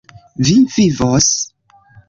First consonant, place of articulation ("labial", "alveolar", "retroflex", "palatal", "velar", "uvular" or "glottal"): labial